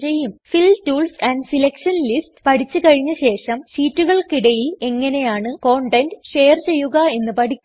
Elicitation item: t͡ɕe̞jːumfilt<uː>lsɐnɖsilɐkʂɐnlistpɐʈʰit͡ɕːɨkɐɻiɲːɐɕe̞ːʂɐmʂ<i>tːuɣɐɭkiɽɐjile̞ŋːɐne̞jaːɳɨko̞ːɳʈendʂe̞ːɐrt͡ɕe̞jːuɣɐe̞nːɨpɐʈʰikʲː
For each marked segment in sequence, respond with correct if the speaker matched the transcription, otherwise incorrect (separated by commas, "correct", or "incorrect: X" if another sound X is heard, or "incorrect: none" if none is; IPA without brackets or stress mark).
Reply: correct, incorrect: iː